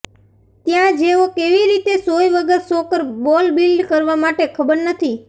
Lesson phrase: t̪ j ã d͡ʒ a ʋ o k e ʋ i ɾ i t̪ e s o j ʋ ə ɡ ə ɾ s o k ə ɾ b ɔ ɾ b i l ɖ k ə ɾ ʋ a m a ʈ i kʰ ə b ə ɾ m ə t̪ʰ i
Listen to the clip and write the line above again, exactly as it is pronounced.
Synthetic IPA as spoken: t̪ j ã d͡ʒ e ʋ o k e ʋ i ɾ i t̪ e s o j ʋ ə ɡ ə ɾ s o k ə ɾ b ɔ l b i l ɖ k ə ɾ ʋ a m a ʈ e kʰ ə b ə ɾ n ə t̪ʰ i